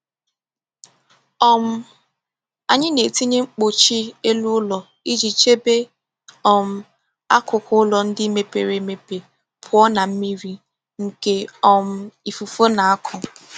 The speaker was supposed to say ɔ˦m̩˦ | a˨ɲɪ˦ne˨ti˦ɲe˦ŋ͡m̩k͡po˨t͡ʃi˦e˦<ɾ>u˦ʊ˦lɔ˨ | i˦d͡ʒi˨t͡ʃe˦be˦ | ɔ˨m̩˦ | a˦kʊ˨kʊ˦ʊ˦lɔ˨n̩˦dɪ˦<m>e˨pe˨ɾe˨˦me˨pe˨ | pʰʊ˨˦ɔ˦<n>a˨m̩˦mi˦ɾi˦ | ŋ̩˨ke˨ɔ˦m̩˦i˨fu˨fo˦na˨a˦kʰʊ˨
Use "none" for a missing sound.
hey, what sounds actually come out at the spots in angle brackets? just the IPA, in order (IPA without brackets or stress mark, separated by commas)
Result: l, m, n